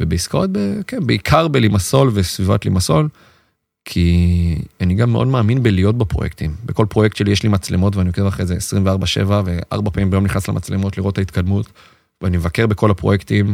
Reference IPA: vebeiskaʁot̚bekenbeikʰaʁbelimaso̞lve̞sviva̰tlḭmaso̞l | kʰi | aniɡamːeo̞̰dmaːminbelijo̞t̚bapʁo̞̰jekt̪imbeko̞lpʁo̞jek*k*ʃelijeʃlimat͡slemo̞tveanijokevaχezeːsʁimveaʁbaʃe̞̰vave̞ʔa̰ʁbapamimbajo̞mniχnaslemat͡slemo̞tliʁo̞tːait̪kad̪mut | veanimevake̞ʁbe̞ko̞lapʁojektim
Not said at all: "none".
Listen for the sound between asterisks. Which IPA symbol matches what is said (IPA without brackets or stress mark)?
t